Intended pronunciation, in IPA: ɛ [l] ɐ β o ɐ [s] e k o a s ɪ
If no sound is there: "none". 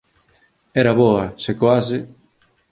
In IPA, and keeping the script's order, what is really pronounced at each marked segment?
ɾ, s

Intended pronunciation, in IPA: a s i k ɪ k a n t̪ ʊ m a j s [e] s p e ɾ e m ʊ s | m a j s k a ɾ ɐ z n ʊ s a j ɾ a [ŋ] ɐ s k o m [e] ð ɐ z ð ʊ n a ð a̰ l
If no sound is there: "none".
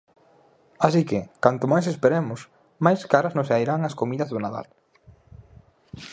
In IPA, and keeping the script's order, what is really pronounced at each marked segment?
e, ŋ, i

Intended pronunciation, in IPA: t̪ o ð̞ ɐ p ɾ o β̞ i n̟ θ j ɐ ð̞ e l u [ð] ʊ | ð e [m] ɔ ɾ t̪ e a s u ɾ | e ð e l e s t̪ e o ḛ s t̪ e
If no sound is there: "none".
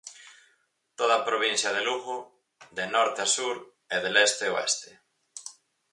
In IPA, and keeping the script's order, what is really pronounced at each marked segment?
ɣ, n

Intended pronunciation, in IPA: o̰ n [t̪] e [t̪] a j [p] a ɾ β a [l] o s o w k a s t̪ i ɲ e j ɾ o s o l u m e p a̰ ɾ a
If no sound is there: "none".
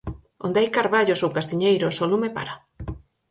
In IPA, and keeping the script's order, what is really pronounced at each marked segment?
d̪, none, k, ʎ

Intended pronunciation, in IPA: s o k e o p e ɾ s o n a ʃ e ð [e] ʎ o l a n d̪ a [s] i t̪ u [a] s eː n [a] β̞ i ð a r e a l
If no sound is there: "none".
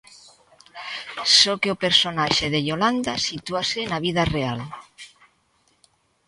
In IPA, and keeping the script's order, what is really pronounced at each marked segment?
e, s, a, a

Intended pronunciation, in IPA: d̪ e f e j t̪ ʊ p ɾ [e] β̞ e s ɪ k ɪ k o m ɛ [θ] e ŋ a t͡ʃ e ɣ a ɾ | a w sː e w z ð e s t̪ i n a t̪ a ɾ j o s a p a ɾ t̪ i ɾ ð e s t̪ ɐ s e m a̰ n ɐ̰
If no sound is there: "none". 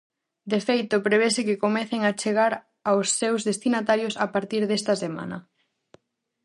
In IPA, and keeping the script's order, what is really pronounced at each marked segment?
e, θ

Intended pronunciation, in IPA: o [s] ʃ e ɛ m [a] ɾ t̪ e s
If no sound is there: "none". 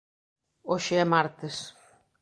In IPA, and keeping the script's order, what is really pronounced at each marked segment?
none, a

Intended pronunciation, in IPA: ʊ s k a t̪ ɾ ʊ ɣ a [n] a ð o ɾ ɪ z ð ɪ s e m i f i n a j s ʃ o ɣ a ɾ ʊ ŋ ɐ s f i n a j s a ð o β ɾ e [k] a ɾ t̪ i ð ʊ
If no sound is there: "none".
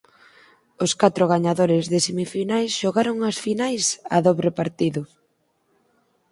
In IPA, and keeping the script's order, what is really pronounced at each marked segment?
ɲ, p

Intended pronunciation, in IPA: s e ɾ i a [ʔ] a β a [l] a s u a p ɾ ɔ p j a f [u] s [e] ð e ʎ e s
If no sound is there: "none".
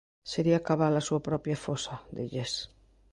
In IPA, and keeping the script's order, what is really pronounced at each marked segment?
k, l, o, a

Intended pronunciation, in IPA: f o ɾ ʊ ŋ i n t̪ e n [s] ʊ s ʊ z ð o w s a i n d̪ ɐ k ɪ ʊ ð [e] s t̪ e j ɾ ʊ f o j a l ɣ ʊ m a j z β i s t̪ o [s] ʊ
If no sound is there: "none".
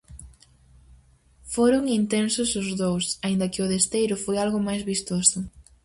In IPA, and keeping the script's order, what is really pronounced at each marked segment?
s, e, s

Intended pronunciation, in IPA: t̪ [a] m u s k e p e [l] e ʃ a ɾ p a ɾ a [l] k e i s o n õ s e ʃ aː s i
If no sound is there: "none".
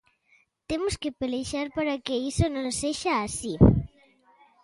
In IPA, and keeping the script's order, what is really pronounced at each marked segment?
e, l, none

